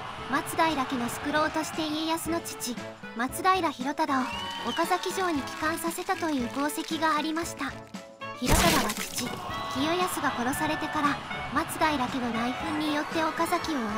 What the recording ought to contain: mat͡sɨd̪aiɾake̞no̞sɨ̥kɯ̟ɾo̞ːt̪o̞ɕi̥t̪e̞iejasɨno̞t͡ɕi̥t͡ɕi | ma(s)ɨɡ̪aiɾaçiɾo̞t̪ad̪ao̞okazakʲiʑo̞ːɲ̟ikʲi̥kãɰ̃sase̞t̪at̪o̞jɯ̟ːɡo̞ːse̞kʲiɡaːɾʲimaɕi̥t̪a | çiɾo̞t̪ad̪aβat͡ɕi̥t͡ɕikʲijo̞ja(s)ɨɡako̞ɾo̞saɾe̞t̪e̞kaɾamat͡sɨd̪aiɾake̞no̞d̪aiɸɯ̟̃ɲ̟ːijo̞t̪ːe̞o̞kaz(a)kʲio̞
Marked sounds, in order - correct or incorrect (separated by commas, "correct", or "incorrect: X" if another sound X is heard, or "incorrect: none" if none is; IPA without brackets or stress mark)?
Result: incorrect: t͡s, correct, correct